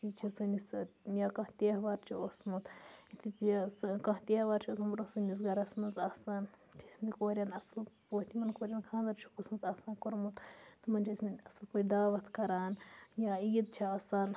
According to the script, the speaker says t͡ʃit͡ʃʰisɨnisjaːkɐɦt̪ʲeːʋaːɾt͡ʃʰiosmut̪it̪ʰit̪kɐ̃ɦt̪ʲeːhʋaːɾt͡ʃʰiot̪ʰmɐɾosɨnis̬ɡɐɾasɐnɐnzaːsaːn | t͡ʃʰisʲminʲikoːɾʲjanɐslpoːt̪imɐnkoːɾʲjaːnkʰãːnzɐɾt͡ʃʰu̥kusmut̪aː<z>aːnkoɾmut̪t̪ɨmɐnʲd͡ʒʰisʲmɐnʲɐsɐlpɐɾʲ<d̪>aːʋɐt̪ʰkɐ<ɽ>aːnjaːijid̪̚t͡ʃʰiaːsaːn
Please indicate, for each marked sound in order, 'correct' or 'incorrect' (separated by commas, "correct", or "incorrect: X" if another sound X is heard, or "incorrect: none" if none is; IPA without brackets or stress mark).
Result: incorrect: s, correct, incorrect: ɾ